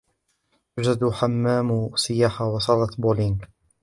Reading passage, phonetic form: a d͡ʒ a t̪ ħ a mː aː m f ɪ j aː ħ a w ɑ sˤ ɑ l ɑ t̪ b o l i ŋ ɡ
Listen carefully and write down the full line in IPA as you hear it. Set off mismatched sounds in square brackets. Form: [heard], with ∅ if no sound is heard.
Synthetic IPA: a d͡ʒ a [d̪] ħ a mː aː m [s] ɪ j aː ħ a w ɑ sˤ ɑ l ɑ t̪ b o l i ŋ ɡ